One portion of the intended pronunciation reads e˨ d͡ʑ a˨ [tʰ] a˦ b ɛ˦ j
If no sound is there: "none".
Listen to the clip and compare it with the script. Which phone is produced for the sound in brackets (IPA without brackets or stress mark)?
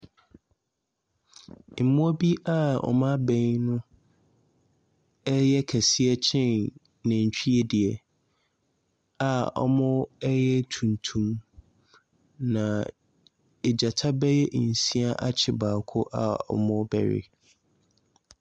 tʰ